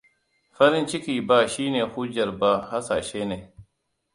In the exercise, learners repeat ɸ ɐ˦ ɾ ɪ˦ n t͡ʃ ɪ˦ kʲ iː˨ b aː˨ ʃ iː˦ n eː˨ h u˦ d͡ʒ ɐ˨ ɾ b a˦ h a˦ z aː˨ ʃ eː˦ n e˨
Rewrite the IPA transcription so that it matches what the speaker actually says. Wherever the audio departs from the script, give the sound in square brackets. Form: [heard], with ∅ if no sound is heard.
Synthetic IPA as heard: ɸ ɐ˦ ɾ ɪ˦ n t͡ʃ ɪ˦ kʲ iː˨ b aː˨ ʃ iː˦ n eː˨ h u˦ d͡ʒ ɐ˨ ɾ b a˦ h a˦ [s] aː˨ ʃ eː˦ n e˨